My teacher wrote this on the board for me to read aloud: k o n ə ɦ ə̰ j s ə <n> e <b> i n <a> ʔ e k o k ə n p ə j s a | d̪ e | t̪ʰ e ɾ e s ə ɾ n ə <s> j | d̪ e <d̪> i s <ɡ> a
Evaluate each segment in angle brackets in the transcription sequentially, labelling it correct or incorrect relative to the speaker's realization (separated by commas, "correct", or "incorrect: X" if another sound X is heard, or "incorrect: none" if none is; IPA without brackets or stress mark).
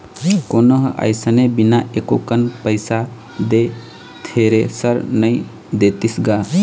correct, correct, correct, incorrect: none, incorrect: t̪, correct